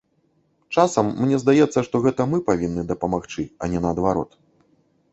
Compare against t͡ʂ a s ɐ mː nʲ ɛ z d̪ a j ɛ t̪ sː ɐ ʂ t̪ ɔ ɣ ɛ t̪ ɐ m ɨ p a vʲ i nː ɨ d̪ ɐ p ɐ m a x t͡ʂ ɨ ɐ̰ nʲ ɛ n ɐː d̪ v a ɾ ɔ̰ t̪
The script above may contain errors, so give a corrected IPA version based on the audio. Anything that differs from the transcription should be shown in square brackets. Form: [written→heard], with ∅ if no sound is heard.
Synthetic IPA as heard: t͡ʂ a s ɐ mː nʲ ɛ z d̪ a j ɛ t̪ sː ɐ ʂ t̪ ɔ ɣ ɛ t̪ ɐ m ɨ p a vʲ i nː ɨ d̪ ɐ p ɐ m a x t͡ʂ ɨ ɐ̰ nʲ ɛ n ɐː d̪ v a ɾ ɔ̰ t̪